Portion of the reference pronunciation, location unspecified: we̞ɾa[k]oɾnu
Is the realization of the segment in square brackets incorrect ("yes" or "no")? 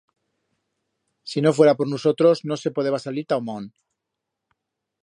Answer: yes